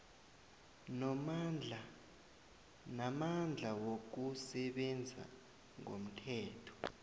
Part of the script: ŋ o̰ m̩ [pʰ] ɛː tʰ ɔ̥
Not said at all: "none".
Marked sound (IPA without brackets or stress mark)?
tʰ